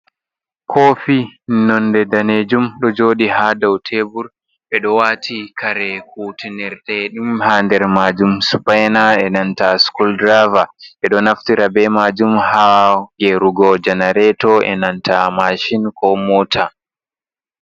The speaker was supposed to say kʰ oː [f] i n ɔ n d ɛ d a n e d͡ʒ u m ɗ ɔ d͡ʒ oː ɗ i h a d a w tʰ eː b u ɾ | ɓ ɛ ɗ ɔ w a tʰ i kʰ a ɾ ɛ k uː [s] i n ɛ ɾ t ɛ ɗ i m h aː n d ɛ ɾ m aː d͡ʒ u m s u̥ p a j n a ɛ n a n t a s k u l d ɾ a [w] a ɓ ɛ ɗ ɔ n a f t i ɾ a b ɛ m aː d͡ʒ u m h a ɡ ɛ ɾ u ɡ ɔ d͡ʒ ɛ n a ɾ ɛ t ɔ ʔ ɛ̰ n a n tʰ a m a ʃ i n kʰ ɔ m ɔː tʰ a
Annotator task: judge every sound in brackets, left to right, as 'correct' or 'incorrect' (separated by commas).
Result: correct, incorrect, incorrect